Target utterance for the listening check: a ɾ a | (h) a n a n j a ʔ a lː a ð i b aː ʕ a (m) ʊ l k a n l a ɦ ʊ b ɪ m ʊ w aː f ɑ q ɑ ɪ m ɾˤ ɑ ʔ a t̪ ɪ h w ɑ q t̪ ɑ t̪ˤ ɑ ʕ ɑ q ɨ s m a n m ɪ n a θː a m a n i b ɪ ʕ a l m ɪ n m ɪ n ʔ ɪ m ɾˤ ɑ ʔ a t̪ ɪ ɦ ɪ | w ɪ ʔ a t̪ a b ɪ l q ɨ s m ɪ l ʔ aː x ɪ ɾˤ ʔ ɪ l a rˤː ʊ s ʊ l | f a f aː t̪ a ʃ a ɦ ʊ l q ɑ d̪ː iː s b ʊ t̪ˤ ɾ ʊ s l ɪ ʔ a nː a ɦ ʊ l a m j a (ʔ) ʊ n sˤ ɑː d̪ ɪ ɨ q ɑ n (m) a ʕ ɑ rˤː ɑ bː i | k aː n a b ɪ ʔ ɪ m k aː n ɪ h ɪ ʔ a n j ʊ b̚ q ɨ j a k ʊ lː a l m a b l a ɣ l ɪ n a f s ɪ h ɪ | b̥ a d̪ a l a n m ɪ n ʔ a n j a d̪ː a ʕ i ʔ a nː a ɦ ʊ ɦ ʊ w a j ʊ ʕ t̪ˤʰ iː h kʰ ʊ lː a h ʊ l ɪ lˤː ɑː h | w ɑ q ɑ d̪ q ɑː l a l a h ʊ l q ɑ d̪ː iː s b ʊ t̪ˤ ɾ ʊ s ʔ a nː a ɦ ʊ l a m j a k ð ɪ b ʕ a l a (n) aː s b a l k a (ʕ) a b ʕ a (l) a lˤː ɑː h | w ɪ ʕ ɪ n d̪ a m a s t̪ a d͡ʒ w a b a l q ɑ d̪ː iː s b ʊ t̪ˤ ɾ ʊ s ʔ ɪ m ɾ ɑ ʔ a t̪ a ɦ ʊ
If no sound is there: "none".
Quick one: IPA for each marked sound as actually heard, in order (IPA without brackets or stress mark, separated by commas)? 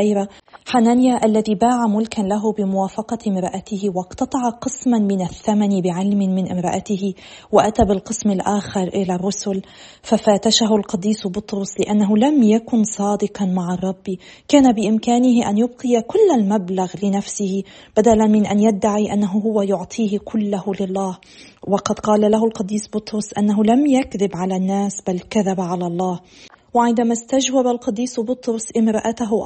ħ, m, k, m, nː, ð, l